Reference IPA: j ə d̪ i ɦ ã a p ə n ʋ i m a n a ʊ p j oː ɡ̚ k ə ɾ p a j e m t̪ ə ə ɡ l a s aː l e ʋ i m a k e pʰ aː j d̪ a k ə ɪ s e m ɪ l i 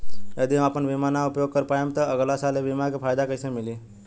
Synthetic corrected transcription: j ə d̪ i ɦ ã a p ə n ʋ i m a n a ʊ p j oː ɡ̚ k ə ɾ p a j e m t̪ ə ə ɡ l a s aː l e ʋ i m a k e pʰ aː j d̪ a k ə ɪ s e m ɪ l i